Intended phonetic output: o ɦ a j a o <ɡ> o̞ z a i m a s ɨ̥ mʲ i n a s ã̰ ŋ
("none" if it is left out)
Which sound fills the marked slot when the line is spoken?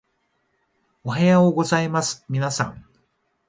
ɡ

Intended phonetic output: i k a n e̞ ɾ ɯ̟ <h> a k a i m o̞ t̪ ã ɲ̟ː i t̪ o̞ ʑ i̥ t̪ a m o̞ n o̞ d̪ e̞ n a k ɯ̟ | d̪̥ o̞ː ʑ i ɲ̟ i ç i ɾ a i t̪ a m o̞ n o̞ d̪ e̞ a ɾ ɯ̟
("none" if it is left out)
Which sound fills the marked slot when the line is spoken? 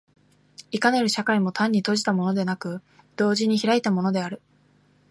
ɕ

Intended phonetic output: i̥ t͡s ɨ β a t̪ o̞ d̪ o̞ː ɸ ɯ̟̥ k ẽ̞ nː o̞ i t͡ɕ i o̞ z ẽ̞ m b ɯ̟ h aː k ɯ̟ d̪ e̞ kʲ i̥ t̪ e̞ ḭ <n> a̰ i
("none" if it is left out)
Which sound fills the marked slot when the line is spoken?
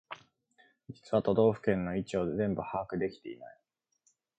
n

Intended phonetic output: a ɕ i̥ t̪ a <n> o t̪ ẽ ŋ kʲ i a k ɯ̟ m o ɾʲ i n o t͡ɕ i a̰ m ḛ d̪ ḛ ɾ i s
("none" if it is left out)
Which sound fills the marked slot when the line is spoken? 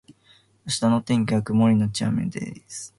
n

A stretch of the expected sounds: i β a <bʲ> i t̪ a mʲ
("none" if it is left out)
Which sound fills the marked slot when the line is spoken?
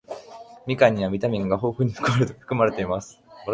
mʲ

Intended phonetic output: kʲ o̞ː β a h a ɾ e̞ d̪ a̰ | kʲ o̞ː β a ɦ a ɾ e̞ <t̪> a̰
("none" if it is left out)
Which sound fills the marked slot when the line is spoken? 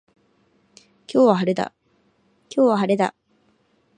d̪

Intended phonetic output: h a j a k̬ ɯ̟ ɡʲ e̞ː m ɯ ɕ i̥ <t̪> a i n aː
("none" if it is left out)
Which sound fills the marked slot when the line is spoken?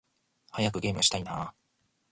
t̪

